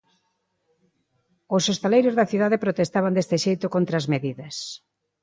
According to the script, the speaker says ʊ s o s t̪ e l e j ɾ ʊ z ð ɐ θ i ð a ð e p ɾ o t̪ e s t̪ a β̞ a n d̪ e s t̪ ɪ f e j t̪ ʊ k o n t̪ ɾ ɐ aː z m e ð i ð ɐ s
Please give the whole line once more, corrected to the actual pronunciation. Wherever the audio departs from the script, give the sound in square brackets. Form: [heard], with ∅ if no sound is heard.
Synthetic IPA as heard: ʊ s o s t̪ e l e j ɾ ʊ z ð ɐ θ i ð a ð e p ɾ o t̪ e s t̪ a β̞ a n d̪ e s t̪ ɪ [ʃ] e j t̪ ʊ k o n t̪ ɾ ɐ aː z m e ð i ð ɐ s